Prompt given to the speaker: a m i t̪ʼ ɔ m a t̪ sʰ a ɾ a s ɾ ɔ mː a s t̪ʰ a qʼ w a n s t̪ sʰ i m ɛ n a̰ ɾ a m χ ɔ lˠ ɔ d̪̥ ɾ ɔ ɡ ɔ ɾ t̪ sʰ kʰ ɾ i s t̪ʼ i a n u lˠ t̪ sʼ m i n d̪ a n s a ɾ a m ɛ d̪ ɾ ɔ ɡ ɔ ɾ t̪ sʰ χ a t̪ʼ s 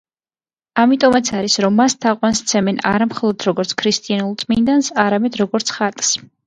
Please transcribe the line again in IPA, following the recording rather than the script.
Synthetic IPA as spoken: a m i t̪ʼ ɔ m a t̪ sʰ a ɾ i s ɾ ɔ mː a s t̪ʰ a qʼ w a n s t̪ sʰ ɛ m ɛ n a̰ ɾ a m χ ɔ lˠ ɔ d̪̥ ɾ ɔ ɡ ɔ ɾ t̪ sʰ kʰ ɾ i s t̪ʼ i a n u lˠ t̪ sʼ m i n d̪ a n s a ɾ a m ɛ d̪ ɾ ɔ ɡ ɔ ɾ t̪ sʰ χ a t̪ʼ s